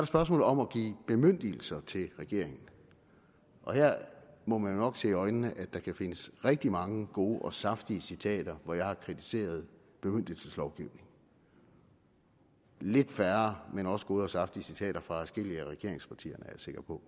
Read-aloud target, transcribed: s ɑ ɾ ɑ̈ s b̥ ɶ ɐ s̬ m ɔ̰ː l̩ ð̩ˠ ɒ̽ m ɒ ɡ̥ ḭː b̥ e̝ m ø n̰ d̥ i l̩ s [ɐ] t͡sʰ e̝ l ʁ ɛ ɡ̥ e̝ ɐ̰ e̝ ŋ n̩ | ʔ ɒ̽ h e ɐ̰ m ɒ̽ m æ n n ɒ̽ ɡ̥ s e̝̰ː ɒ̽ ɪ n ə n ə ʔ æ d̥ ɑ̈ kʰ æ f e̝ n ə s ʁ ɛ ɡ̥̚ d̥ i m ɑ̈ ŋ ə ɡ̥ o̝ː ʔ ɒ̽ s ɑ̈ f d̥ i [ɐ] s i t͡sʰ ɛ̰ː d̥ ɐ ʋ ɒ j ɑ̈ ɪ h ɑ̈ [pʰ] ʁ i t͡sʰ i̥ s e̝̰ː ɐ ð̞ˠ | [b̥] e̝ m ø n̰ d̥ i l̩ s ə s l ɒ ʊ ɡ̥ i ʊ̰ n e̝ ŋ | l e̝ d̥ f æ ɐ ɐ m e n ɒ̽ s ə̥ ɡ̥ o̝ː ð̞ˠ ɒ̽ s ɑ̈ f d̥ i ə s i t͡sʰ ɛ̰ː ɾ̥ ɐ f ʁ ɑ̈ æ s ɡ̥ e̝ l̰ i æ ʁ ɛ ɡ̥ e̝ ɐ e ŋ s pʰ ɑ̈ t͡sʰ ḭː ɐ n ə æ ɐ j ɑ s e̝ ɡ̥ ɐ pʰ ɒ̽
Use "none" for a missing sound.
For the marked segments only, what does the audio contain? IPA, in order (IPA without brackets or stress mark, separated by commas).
ɐ, ə, kʰ, b̥